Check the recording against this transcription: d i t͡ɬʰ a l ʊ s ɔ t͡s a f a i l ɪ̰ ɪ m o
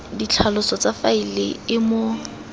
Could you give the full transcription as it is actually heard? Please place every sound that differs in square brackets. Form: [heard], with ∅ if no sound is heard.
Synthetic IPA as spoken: d i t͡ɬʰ a l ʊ s ɔ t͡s a f a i l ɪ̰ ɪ m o